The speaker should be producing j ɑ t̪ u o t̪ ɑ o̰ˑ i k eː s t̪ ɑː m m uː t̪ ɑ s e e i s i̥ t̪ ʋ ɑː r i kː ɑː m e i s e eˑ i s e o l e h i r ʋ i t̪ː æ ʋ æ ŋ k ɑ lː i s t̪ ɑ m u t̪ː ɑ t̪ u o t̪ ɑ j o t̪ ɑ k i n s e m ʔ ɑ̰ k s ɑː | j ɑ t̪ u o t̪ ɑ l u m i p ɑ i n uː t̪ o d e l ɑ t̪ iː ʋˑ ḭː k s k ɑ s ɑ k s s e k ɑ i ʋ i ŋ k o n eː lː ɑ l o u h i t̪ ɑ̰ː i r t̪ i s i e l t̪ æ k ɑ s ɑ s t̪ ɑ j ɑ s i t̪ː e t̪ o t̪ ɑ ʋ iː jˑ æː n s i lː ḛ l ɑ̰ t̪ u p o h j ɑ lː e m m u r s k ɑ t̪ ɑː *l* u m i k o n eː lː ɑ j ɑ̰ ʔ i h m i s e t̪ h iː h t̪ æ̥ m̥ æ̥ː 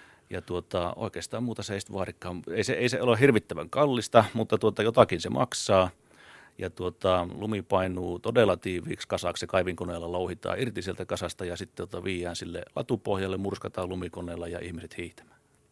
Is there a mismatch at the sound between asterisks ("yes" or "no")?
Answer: no